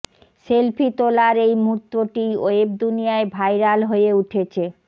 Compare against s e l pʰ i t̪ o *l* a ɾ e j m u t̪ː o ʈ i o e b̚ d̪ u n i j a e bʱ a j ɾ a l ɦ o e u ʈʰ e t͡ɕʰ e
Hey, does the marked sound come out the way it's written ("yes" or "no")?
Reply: yes